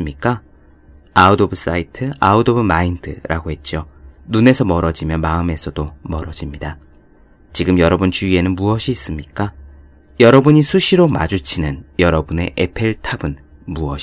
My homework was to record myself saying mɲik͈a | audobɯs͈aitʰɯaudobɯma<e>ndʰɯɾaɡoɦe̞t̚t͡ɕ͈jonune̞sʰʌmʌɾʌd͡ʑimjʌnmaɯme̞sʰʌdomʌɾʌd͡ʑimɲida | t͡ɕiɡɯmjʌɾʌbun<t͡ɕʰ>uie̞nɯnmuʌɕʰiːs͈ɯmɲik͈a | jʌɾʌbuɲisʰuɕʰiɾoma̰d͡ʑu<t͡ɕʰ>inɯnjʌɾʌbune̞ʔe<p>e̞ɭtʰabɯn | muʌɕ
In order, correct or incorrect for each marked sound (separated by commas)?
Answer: incorrect, incorrect, correct, incorrect